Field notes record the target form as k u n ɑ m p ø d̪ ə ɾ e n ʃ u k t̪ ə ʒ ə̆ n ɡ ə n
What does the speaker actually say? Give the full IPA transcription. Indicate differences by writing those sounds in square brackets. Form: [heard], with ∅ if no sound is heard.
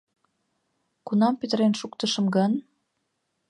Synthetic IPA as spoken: k u n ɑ m p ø [t̪] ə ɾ e n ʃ u k t̪ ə [ʃ] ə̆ [m] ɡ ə n